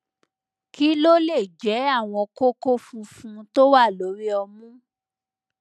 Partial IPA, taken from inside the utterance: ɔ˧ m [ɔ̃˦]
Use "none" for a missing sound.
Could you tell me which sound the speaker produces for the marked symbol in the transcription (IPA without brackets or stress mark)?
ũ˦